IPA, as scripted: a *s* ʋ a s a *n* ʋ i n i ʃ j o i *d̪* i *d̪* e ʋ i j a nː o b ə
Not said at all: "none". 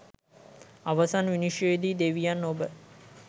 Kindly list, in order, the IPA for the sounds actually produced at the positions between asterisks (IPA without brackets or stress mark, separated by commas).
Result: none, n, d̪, d̪